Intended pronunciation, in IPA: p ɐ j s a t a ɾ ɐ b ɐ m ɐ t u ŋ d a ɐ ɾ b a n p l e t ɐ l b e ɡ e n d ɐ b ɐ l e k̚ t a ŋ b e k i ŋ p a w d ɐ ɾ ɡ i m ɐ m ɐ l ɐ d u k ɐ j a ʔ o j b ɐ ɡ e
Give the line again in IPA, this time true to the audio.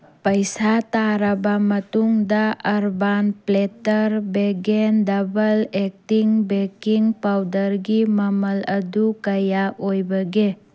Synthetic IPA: p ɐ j s a t a ɾ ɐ b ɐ m ɐ t u ŋ d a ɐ ɾ b a n p l e t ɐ ɾ b e ɡ e n d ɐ b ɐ l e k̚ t i ŋ b e k i ŋ p a w d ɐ ɾ ɡ i m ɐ m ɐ l ɐ d u k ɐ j a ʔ o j b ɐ ɡ e